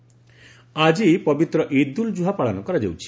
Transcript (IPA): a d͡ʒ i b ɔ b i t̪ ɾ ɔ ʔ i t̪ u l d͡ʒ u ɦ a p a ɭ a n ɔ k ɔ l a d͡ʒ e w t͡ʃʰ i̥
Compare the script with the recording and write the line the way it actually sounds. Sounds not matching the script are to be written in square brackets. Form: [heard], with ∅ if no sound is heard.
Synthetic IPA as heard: a d͡ʒ i [p] ɔ b i t̪ ɾ ɔ ʔ i [d̪] u l d͡ʒ u ɦ a p a ɭ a n ɔ k ɔ [ɾ] a d͡ʒ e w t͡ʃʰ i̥